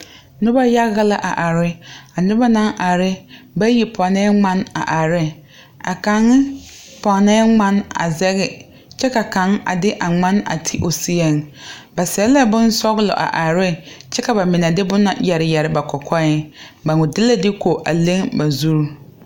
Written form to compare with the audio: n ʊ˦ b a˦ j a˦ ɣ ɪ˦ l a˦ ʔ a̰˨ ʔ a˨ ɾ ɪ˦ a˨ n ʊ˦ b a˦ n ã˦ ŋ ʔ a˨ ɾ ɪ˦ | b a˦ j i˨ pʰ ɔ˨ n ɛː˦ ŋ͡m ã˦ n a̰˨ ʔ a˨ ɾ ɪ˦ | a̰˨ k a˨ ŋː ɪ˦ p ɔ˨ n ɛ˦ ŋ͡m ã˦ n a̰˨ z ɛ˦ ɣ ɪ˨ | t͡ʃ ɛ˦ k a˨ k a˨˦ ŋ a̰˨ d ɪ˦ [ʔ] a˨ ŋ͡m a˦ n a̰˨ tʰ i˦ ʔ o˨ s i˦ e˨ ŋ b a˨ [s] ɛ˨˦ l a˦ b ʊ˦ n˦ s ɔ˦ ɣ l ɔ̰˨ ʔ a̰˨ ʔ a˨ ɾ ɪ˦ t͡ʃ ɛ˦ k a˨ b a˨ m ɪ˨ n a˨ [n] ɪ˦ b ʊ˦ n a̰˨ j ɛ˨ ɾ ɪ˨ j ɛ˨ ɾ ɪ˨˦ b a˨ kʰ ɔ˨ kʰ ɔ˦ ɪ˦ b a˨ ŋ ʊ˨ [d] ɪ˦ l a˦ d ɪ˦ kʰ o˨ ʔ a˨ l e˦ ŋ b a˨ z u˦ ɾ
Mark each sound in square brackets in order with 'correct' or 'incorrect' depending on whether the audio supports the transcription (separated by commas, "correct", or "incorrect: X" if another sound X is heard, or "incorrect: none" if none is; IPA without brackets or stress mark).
correct, correct, incorrect: d, correct